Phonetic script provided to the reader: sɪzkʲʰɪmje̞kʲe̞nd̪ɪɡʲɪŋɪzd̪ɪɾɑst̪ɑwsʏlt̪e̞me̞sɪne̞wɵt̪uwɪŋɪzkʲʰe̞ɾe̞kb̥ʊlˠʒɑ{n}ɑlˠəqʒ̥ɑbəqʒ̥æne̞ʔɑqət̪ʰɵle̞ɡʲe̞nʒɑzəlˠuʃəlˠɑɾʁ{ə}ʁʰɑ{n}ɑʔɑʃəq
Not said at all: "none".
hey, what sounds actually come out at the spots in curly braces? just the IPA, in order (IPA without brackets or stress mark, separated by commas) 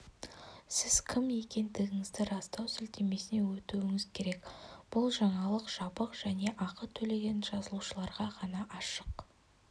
ɴ, ɑ, n